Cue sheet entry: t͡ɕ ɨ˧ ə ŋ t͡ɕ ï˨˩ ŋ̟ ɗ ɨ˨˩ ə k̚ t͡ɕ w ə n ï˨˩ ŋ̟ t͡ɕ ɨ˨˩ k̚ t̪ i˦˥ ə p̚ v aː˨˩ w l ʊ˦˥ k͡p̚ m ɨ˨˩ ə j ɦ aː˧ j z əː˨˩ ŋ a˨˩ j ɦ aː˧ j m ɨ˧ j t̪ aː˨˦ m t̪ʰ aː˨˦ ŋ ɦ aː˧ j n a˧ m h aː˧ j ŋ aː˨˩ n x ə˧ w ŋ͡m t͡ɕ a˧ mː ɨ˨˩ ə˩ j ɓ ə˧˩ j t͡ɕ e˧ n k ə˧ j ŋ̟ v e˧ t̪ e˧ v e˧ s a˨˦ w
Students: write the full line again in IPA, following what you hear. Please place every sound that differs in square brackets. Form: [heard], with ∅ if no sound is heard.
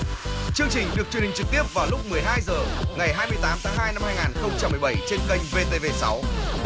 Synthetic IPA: t͡ɕ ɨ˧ ə ŋ t͡ɕ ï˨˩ ŋ̟ ɗ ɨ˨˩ ə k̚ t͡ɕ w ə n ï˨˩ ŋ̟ t͡ɕ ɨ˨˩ k̚ t̪ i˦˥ ə p̚ v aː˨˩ w l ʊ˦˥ k͡p̚ m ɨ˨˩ ə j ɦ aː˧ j z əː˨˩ ŋ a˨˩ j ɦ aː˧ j m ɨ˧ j t̪ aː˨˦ m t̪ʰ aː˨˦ ŋ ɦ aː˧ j n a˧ m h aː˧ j ŋ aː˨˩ n x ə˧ w ŋ͡m t͡ɕ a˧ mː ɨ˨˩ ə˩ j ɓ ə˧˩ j t͡ɕ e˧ n k ə˧ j ŋ̟ v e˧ t̪ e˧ v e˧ s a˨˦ w

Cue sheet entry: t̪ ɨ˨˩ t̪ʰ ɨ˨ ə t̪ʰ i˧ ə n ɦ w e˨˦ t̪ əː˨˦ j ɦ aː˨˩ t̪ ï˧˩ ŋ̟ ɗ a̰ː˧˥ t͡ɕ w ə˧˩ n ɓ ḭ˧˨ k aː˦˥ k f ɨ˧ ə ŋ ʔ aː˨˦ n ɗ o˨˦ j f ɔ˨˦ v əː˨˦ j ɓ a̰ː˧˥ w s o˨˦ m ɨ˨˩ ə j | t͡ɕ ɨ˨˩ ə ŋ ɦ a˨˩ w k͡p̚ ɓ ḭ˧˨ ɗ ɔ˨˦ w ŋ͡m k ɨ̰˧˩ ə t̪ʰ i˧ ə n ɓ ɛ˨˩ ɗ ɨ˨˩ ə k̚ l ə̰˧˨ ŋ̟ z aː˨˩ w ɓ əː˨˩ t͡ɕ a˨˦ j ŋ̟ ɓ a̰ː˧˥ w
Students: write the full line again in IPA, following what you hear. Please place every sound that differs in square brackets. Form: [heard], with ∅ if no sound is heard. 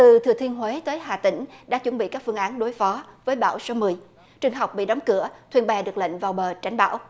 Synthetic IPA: t̪ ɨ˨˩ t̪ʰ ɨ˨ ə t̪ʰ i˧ ə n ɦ w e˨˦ t̪ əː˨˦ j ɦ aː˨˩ t̪ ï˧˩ ŋ̟ ɗ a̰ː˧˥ t͡ɕ w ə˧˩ n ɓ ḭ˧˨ k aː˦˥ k f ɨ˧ ə ŋ ʔ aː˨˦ n ɗ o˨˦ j f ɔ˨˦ v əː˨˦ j ɓ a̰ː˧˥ w s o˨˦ m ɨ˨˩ ə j | t͡ɕ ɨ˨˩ ə ŋ ɦ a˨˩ w k͡p̚ ɓ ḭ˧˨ ɗ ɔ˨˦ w ŋ͡m k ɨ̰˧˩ ə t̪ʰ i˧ ə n ɓ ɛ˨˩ ɗ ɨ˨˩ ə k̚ l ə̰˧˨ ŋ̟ [v] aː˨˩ w ɓ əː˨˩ t͡ɕ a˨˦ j ŋ̟ ɓ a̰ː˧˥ w

